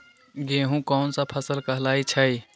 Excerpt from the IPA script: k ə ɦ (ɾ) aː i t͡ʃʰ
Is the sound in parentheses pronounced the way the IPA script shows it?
no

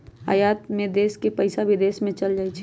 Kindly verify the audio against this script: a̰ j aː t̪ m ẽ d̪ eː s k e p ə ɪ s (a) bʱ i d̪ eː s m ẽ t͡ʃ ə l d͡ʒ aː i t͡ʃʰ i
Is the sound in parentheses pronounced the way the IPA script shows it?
yes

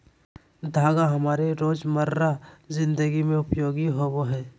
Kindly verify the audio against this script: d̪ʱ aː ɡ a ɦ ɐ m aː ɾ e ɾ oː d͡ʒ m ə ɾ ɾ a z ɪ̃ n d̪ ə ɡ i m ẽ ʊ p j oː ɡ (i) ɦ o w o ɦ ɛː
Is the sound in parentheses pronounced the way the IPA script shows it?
yes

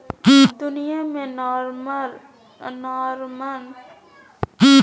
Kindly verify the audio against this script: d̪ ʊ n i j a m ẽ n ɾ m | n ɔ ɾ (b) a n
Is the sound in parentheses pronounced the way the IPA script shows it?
no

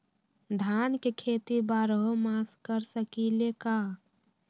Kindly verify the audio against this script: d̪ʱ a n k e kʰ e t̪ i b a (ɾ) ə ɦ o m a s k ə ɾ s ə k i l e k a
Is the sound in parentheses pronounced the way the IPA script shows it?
yes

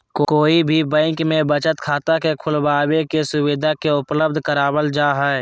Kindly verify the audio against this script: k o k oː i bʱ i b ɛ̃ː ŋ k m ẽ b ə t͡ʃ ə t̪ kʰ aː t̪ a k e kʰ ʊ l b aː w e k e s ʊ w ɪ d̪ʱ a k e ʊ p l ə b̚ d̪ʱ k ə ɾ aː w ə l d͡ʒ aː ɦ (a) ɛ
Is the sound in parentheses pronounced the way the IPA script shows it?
no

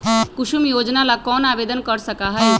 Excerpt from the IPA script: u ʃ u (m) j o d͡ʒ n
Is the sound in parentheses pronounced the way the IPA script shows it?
yes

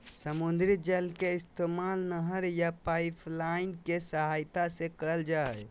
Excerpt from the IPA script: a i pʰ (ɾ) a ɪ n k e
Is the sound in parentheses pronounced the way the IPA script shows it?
no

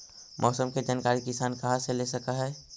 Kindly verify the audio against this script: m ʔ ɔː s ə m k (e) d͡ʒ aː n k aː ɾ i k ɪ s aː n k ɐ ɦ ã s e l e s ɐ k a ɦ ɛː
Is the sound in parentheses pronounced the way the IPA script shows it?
yes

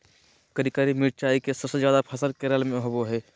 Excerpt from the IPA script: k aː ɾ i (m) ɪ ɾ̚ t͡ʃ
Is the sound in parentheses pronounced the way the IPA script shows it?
yes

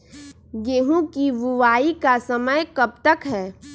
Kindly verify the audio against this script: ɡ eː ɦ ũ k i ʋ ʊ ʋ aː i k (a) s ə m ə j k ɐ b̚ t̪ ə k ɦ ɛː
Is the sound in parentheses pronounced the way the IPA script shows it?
yes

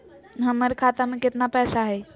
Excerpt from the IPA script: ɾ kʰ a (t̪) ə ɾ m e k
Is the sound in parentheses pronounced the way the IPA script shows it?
yes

